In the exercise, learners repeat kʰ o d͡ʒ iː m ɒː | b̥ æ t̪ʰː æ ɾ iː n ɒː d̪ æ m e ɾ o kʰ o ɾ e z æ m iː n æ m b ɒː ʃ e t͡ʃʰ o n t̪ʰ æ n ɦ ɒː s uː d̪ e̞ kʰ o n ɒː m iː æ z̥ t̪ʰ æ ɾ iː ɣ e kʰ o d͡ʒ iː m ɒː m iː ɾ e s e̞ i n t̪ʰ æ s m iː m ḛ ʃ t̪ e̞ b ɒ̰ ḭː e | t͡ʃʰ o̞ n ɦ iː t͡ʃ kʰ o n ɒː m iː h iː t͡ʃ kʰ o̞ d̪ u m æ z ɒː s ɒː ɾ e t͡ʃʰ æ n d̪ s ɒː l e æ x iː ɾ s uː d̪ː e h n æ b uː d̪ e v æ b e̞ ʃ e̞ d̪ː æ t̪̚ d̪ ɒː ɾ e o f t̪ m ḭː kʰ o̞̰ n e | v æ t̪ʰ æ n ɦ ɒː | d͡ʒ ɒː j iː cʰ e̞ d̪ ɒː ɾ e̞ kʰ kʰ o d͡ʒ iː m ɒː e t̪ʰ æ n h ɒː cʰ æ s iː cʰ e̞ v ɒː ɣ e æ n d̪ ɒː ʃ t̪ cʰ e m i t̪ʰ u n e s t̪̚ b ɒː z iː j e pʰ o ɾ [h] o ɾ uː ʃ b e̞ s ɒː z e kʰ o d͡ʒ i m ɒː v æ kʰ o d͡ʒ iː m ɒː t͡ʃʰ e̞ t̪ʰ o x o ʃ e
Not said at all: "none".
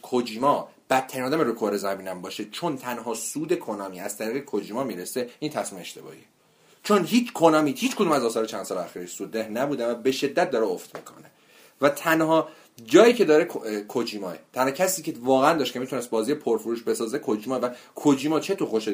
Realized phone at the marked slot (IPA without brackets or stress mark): f